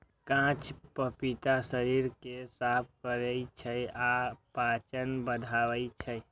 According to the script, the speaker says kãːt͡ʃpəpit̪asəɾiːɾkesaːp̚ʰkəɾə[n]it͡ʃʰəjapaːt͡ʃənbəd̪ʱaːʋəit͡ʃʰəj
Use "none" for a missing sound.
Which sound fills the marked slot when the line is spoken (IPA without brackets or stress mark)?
none